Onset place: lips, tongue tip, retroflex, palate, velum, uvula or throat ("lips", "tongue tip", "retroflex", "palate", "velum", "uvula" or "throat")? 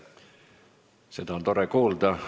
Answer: tongue tip